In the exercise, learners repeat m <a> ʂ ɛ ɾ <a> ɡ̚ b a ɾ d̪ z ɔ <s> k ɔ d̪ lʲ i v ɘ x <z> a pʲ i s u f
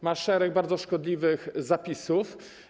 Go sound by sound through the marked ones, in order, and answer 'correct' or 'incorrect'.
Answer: correct, incorrect, incorrect, correct

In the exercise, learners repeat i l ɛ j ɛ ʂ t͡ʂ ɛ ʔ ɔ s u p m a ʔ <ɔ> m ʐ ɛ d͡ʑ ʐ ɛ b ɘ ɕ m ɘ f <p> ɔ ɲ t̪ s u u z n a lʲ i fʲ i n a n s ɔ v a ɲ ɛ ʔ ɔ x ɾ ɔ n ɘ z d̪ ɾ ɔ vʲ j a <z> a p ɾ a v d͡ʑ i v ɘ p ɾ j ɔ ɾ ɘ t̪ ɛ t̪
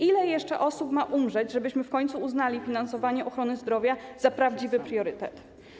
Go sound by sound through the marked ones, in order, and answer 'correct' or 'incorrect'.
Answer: incorrect, incorrect, correct

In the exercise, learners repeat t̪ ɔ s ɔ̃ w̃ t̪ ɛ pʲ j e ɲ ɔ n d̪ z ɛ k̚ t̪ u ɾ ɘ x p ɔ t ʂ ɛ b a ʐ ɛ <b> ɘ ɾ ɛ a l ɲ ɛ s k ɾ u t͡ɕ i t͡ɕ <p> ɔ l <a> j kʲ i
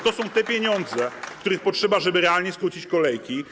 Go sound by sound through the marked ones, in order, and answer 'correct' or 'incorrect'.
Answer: correct, incorrect, incorrect

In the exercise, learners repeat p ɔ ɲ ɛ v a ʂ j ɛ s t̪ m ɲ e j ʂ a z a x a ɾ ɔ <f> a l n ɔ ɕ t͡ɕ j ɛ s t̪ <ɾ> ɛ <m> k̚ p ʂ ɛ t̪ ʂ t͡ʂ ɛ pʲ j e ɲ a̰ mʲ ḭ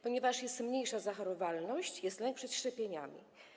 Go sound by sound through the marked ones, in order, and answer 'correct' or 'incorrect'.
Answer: incorrect, incorrect, incorrect

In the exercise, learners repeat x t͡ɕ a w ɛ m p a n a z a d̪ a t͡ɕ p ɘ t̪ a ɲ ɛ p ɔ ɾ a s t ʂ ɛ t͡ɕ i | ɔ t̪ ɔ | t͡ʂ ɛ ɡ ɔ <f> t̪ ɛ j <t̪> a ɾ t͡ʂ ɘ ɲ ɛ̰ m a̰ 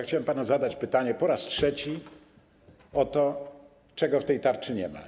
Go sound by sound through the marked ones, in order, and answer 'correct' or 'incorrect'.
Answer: correct, correct

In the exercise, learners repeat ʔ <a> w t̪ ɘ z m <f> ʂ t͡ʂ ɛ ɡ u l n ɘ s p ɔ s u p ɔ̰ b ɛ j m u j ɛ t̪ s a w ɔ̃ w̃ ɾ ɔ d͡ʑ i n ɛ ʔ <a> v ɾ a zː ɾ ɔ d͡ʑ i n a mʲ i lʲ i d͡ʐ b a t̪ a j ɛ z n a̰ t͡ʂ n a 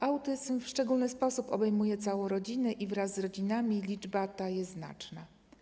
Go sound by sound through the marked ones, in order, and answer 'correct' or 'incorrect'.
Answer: correct, correct, incorrect

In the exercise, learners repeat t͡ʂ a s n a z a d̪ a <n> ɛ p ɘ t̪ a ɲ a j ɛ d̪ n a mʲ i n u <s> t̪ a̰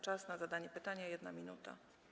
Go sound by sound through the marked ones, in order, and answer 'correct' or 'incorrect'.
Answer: incorrect, incorrect

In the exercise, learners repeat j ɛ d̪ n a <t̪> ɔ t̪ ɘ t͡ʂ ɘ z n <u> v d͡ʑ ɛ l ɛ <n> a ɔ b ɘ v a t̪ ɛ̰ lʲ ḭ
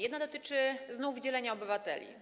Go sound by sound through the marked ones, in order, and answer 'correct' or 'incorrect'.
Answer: incorrect, correct, incorrect

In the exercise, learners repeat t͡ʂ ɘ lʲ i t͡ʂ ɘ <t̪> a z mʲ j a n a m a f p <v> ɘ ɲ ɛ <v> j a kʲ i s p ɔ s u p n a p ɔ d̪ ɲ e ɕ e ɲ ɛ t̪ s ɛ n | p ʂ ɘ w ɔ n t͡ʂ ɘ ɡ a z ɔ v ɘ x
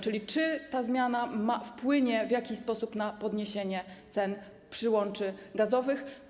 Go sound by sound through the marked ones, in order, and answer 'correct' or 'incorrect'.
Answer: correct, incorrect, correct

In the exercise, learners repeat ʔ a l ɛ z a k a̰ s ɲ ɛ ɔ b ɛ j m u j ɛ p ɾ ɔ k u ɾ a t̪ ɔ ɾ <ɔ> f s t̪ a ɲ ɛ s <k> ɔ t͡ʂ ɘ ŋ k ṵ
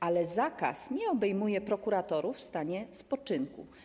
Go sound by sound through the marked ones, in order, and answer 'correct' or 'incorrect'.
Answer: incorrect, incorrect

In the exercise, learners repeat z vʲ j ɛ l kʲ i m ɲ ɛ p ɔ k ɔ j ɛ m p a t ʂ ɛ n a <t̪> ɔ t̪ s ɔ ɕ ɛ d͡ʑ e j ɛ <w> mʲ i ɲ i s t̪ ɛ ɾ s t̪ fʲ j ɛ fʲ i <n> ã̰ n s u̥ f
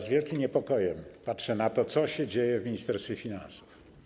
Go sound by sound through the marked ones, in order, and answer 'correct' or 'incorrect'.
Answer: correct, incorrect, correct

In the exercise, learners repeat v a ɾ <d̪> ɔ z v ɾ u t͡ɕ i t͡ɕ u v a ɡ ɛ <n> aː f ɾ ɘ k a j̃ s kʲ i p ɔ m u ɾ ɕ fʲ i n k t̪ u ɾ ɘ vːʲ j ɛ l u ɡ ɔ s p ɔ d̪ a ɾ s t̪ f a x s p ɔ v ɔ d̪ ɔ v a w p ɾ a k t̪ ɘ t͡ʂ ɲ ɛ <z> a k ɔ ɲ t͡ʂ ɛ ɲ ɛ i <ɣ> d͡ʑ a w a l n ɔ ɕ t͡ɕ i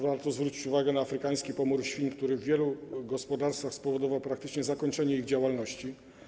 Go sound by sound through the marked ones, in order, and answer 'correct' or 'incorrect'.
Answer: incorrect, correct, correct, correct

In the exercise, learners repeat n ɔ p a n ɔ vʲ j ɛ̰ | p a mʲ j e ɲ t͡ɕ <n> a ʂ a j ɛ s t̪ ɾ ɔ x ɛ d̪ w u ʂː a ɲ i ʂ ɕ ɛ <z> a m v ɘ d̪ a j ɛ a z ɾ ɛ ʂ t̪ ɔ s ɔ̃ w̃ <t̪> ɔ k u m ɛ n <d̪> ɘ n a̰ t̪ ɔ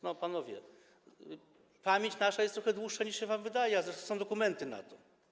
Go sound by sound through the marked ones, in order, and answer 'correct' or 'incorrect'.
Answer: correct, incorrect, incorrect, incorrect

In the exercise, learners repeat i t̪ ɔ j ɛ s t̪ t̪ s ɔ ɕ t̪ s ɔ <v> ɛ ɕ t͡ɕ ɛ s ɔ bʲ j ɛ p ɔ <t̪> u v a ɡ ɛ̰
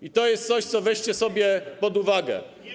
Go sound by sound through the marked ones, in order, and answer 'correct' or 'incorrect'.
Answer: correct, incorrect

